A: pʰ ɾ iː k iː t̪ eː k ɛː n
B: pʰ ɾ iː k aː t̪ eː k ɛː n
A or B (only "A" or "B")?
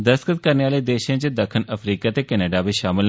B